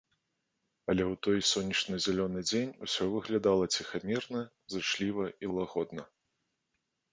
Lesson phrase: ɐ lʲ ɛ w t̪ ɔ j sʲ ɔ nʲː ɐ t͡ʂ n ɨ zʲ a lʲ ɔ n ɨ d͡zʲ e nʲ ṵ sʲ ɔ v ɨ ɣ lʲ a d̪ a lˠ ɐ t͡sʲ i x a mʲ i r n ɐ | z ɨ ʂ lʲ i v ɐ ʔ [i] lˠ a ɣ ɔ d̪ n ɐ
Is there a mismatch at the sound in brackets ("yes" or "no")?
no